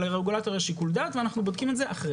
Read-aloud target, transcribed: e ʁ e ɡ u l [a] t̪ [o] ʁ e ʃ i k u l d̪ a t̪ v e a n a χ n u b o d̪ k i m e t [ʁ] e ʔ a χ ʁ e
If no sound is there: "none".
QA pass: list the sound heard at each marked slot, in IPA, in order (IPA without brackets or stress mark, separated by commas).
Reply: a, o, z